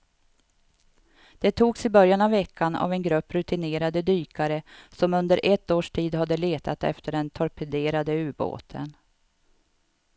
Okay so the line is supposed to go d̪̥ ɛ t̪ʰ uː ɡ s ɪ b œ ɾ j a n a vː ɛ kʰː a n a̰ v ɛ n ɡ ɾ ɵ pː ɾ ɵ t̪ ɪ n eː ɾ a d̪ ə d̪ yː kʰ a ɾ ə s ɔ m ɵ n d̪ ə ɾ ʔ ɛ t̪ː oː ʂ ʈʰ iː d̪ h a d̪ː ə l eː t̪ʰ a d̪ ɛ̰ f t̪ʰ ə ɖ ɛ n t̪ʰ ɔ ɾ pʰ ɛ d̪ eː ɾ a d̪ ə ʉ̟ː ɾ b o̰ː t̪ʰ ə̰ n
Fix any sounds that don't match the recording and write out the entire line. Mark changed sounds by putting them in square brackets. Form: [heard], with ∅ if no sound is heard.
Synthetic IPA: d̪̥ ɛ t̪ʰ uː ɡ s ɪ b œ ɾ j a n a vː ɛ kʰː a n a̰ v ɛ n ɡ ɾ ɵ pː ɾ ɵ t̪ ɪ n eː ɾ a d̪ ə d̪ yː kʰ a ɾ ə s ɔ m ɵ n d̪ ə ɾ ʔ ɛ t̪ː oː ʂ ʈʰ iː d̪ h a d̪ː ə l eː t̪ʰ a [t̪] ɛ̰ f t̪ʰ ə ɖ ɛ n t̪ʰ ɔ ɾ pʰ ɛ d̪ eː ɾ a d̪ ə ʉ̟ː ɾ b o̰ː t̪ʰ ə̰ n